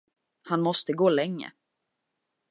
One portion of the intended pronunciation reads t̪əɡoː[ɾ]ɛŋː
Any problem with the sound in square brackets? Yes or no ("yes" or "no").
yes